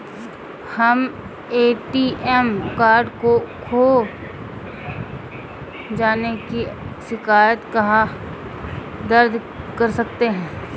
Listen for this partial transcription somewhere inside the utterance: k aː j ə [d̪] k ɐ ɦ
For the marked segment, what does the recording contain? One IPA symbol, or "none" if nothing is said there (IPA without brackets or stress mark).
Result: t̪